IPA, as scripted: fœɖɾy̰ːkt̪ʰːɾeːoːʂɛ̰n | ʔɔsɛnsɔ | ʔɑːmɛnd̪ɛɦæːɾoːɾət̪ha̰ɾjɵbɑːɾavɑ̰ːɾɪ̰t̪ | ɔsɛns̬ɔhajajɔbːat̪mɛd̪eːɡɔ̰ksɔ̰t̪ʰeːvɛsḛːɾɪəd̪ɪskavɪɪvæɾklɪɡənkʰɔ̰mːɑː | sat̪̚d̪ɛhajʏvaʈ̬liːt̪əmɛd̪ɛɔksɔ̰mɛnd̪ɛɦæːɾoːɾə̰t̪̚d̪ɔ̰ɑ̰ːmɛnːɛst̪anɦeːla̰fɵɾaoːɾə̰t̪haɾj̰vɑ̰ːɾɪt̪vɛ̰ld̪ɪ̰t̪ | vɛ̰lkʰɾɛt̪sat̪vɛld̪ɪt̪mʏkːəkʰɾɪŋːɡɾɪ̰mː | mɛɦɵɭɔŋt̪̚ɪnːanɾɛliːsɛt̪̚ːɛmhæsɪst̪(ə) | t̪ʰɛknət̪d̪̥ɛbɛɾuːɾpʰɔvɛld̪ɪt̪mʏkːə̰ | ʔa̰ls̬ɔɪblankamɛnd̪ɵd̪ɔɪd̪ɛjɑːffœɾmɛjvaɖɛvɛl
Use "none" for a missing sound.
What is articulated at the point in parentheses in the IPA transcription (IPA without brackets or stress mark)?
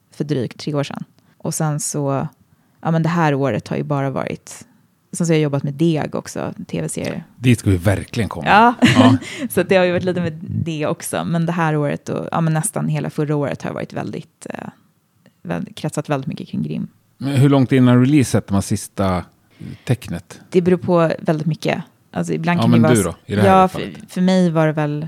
a